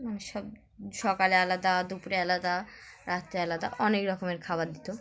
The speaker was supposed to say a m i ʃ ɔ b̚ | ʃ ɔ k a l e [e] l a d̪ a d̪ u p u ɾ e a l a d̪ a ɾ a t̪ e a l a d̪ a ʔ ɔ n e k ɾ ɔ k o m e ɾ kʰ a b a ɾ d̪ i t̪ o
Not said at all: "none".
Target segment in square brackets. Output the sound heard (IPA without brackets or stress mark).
a